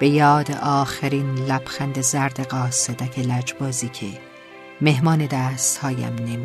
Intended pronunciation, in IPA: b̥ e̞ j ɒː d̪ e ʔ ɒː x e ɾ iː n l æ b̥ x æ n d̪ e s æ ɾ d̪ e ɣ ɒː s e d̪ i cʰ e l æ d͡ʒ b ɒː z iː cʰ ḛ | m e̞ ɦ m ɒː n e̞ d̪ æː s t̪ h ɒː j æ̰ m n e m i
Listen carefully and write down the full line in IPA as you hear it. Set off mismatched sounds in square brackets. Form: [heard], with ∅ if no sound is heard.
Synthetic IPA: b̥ e̞ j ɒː d̪ e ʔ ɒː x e ɾ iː n l æ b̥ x æ n d̪ e [z] æ ɾ d̪ e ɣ ɒː s e d̪ [æ] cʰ e l æ d͡ʒ b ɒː z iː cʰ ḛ | m e̞ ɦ m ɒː n e̞ d̪ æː s t̪ h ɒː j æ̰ m n e m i